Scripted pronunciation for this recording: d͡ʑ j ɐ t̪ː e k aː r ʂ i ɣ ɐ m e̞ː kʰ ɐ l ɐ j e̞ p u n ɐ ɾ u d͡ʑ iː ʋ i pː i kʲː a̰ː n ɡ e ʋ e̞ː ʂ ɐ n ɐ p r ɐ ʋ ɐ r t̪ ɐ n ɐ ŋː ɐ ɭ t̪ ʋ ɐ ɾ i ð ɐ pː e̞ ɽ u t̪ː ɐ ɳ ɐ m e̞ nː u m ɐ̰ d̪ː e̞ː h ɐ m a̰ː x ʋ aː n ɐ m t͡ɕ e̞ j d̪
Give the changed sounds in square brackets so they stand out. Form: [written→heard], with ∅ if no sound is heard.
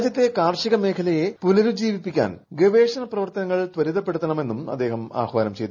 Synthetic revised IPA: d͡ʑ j ɐ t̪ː e k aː r ʂ i ɣ ɐ m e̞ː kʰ ɐ l ɐ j e̞ p u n ɐ ɾ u d͡ʑ iː ʋ i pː i kʲː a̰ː n ɡ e ʋ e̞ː ʂ ɐ n ɐ p r ɐ ʋ ɐ r t̪ ɐ n ɐ ŋː ɐ ɭ t̪ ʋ ɐ ɾ i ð ɐ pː e̞ ɽ u t̪ː ɐ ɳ ɐ m e̞ nː u m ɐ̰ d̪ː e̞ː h ɐ m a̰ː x ʋ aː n ɐ m t͡ɕ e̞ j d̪